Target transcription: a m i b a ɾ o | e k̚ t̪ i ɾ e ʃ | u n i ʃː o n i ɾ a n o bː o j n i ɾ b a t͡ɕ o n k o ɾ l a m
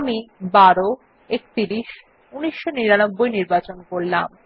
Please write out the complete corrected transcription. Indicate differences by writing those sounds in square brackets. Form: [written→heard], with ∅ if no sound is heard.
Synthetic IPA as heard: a m i b a ɾ o | e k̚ t̪ i ɾ [e→i] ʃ | u n i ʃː o n i ɾ a n o bː o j n i ɾ b a t͡ɕ o n k o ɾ l a m